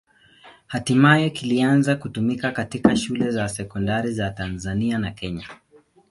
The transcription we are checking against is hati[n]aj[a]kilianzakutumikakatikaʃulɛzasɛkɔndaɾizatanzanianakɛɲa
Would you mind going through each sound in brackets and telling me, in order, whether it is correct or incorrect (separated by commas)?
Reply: incorrect, incorrect